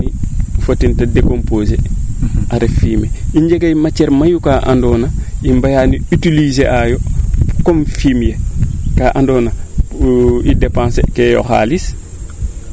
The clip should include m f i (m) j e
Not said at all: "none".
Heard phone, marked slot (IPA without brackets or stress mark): m